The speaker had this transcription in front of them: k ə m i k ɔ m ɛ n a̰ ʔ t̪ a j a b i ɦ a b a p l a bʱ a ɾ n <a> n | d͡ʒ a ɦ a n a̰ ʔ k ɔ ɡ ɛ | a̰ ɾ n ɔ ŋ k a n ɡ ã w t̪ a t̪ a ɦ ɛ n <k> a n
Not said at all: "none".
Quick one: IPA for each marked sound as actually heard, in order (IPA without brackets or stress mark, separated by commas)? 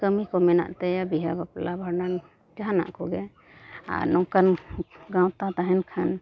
a, kʰ